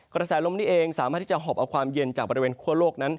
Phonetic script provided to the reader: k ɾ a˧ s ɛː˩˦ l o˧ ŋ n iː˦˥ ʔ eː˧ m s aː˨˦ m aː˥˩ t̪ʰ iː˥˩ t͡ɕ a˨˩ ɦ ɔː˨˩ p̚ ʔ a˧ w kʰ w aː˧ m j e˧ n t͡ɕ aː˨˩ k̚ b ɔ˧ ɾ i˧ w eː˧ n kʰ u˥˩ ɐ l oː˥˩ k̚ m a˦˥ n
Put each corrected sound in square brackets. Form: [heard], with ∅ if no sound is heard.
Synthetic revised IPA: k ɾ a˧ s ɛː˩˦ l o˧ [m] n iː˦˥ ʔ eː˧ [ŋ] s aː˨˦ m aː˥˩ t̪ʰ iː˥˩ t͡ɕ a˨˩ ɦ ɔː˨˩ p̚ ʔ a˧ w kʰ w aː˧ m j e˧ n t͡ɕ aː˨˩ k̚ b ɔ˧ ɾ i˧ w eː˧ n kʰ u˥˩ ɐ l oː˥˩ k̚ [n] a˦˥ n